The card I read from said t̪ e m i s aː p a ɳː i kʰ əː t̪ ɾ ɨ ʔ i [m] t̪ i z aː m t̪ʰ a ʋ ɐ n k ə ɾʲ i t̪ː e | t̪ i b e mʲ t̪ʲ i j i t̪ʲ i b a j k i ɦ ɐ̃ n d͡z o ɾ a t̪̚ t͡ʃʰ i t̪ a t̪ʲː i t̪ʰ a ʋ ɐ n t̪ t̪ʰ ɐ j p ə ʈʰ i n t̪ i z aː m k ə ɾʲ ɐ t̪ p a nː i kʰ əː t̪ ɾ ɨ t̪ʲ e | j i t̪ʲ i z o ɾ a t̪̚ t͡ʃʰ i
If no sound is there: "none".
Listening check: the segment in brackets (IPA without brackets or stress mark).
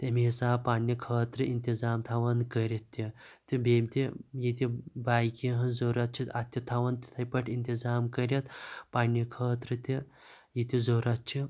n